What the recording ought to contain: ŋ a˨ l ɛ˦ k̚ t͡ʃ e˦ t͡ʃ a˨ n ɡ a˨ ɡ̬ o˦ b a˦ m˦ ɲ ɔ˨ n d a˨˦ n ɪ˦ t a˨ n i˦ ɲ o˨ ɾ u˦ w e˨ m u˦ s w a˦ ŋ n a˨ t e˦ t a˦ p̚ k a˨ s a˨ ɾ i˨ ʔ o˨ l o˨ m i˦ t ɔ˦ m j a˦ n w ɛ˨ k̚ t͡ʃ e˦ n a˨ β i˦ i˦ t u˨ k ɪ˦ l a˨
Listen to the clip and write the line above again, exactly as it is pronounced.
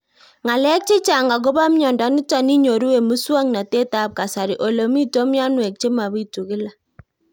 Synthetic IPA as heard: ŋ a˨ l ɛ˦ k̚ t͡ʃ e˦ t͡ʃ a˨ ŋ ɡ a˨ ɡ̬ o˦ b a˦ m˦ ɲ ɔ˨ n d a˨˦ n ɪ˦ t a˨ n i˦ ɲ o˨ ɾ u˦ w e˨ m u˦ s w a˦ ŋ n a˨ t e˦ t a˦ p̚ k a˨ s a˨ ɾ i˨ ʔ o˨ l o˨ m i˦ t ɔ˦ m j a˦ n w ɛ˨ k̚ t͡ʃ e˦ m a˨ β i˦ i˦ t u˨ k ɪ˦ l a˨